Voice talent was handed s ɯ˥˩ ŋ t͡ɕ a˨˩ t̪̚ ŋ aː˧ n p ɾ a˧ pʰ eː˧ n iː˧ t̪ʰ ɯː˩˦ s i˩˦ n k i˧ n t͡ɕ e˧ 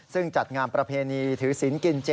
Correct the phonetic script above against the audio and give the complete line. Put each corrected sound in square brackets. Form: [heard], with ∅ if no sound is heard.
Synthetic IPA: s ɯ˥˩ ŋ t͡ɕ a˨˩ t̪̚ ŋ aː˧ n p ɾ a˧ pʰ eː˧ n iː˧ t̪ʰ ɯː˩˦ s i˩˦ n k i˧ n t͡ɕ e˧